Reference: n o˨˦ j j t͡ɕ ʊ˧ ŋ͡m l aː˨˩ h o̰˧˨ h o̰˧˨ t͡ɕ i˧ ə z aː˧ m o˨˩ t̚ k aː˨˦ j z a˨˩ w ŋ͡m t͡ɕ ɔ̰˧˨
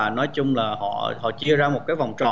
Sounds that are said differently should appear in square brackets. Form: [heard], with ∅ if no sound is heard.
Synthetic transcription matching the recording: n [ɔ˨˦] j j t͡ɕ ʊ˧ ŋ͡m l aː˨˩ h [ɔ̰˧˨] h [ɔ̰˧˨] t͡ɕ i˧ ə z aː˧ m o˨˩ t̚ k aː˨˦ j [v] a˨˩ w ŋ͡m t͡ɕ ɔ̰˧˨

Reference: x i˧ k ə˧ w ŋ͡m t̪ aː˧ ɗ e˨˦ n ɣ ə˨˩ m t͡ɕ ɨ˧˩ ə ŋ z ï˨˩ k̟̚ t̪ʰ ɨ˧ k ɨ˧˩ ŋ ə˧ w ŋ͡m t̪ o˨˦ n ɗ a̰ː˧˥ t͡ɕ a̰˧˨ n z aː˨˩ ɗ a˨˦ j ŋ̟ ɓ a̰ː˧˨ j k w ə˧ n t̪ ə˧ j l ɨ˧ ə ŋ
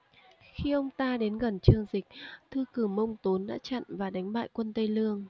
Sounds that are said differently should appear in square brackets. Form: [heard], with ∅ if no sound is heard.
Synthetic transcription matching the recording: x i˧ [ʔ] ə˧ w ŋ͡m t̪ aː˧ ɗ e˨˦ n ɣ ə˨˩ [n] t͡ɕ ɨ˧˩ ə ŋ z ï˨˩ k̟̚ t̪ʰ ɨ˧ k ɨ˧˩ [m] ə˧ w ŋ͡m t̪ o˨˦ n ɗ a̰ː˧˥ t͡ɕ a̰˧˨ n [v] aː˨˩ ɗ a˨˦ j ŋ̟ ɓ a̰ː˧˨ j k w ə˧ n t̪ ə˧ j l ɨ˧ ə ŋ

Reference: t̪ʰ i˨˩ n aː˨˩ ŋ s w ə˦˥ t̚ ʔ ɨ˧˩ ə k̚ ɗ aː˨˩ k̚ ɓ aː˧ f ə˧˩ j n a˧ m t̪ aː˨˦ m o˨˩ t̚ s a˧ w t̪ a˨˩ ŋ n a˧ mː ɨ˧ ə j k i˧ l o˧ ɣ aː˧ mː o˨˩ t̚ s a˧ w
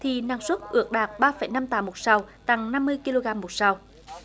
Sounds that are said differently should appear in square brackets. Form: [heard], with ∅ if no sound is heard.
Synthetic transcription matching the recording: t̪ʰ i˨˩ n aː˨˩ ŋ s w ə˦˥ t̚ ʔ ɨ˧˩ ə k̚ ɗ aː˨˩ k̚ ɓ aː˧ f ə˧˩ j n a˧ m t̪ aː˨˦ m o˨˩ t̚ s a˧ w t̪ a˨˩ ŋ n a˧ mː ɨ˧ ə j k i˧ l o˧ ɣ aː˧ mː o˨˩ t̚ s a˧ w

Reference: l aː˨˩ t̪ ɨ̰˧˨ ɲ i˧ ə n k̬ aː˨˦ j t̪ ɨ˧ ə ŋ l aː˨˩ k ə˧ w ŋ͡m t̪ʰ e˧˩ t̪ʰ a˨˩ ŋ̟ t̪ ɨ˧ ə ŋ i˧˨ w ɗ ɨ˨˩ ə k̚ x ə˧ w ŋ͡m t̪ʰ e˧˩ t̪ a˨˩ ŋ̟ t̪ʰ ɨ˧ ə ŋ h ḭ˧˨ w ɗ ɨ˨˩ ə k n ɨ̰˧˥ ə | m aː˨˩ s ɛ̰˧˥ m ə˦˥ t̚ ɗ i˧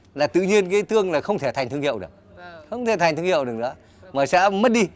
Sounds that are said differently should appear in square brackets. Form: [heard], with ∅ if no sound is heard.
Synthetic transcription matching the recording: l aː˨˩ t̪ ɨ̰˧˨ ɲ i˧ ə n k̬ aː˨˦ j t̪ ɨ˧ ə ŋ l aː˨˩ [x] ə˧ w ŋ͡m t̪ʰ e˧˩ t̪ʰ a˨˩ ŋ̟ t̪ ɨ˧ ə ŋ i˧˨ w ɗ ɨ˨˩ ə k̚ x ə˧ w ŋ͡m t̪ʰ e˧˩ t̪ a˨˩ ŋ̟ [t̪] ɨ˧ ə ŋ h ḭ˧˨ w ɗ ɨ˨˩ ə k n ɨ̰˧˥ ə | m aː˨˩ s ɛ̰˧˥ m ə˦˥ t̚ ɗ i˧

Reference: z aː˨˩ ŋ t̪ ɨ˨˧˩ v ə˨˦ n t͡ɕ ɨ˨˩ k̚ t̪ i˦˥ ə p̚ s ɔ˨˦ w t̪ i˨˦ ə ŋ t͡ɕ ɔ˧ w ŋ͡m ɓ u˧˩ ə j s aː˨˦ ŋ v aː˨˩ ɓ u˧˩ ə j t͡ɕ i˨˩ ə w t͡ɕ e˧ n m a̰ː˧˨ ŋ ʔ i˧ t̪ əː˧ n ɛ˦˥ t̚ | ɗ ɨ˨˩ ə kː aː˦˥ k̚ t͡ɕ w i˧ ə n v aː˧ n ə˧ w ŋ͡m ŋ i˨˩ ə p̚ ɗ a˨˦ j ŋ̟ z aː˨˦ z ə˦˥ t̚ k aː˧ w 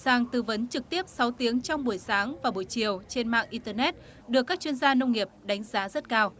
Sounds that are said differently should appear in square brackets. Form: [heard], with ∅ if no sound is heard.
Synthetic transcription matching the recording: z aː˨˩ ŋ t̪ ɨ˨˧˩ v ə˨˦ n t͡ɕ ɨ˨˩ k̚ t̪ i˦˥ ə p̚ s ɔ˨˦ w t̪ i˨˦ ə ŋ t͡ɕ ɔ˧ w ŋ͡m ɓ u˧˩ ə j s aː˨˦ ŋ v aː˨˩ ɓ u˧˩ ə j t͡ɕ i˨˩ ə w t͡ɕ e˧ n m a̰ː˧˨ ŋ ʔ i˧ t̪ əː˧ n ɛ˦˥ t̚ | ɗ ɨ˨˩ ə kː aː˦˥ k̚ t͡ɕ w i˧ ə n [z] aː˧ n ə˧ w ŋ͡m ŋ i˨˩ ə p̚ ɗ a˨˦ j ŋ̟ z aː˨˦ z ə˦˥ t̚ k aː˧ w

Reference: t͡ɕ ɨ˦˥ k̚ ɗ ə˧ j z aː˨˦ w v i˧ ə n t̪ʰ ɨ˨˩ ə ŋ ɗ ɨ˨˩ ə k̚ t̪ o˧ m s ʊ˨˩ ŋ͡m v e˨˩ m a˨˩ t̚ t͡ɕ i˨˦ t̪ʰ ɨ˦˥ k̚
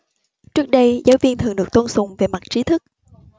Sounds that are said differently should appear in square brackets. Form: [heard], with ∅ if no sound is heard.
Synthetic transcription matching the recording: t͡ɕ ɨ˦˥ k̚ ɗ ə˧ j z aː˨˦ w v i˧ ə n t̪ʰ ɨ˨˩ ə ŋ ɗ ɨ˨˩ ə k̚ t̪ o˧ [n] s ʊ˨˩ ŋ͡m v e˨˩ m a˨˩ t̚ t͡ɕ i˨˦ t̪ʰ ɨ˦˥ k̚

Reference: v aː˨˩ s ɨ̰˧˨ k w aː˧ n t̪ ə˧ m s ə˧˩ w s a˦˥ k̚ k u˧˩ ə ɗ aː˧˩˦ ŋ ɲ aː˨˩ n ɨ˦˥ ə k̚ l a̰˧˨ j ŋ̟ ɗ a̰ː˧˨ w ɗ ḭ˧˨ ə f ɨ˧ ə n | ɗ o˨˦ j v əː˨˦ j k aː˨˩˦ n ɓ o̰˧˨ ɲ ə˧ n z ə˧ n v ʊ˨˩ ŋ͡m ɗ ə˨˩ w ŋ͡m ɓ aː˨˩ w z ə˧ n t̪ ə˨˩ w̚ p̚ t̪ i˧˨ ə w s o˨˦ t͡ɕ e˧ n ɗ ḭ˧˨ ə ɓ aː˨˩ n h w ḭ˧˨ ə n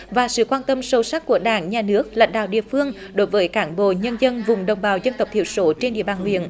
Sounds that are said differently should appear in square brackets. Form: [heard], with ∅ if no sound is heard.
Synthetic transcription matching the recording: v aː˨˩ s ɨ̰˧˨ k w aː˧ n t̪ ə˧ m s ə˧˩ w s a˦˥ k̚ k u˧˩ ə ɗ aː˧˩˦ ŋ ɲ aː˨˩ n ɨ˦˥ ə k̚ l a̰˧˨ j ŋ̟ ɗ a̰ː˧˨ w ɗ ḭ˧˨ ə f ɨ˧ ə [ŋ] | ɗ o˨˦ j v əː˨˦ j k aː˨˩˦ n ɓ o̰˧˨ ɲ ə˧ n z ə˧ n v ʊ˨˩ ŋ͡m ɗ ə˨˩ w ŋ͡m ɓ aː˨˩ w z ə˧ n t̪ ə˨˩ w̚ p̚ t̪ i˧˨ ə w s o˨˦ t͡ɕ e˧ n ɗ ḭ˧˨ ə ɓ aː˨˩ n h w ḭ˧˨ ə n

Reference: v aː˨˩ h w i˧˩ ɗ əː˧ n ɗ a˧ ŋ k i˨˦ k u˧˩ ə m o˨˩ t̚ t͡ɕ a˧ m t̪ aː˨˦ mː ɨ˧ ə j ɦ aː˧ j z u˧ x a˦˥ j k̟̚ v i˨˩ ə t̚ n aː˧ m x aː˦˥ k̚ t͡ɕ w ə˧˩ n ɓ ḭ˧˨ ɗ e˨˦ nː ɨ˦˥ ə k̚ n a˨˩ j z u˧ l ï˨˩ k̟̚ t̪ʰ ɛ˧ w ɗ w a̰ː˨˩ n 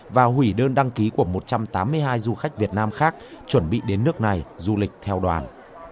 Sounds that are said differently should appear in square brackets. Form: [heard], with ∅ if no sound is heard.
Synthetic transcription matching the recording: v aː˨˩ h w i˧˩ ɗ əː˧ n ɗ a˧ ŋ k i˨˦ k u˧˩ ə m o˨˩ t̚ t͡ɕ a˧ m t̪ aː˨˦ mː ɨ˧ ə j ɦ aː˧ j z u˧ x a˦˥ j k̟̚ v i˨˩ ə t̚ n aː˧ m x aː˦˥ k̚ t͡ɕ w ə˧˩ n ɓ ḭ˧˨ ɗ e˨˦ nː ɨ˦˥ ə k̚ n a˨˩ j z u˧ l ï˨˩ k̟̚ t̪ʰ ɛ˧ w ɗ w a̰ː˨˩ n

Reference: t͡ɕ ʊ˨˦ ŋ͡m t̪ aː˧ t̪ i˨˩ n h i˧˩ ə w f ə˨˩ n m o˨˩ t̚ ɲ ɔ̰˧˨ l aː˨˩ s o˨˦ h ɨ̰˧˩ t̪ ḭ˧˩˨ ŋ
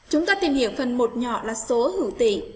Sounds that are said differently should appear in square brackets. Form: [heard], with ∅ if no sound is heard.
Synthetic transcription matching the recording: t͡ɕ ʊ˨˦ ŋ͡m t̪ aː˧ t̪ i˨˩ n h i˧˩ ə w f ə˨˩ n m o˨˩ t̚ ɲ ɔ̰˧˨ l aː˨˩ s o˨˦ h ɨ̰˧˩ t̪ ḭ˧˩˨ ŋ

